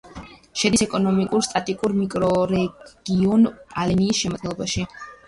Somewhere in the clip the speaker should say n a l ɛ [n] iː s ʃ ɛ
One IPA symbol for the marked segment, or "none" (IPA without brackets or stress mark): n